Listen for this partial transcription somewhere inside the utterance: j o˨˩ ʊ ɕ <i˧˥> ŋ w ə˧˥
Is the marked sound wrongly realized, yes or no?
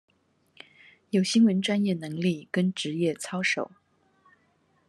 yes